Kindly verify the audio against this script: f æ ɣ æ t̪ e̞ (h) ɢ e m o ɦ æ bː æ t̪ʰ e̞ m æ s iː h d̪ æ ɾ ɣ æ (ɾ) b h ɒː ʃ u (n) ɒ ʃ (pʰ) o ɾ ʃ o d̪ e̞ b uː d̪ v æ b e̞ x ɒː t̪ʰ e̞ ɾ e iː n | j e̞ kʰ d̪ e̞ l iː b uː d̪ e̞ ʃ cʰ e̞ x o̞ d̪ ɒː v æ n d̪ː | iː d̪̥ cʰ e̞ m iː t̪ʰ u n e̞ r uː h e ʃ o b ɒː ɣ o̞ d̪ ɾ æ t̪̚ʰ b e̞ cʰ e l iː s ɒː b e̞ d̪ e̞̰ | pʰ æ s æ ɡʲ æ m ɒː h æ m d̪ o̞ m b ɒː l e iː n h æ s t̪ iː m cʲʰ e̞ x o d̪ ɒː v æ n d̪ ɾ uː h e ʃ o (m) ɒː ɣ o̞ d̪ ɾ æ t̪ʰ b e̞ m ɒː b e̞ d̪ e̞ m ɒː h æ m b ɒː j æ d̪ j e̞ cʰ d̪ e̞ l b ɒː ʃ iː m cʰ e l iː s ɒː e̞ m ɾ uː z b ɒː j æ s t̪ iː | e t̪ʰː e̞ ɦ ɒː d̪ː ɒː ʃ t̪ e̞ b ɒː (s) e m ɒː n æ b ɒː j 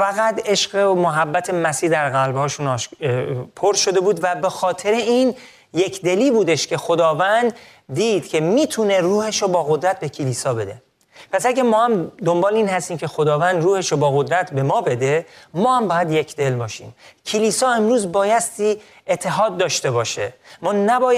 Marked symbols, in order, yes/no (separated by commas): no, no, yes, yes, no, no